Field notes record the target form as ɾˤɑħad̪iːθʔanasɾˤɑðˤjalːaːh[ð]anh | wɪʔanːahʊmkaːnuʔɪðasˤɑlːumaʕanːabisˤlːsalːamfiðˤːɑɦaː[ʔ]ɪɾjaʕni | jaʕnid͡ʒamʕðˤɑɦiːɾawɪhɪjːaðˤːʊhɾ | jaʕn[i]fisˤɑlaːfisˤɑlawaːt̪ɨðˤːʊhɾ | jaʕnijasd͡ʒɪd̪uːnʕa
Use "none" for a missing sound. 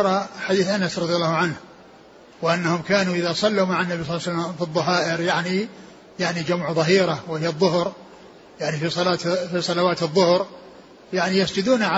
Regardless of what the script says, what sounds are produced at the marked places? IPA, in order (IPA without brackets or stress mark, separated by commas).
ʕ, ʔ, i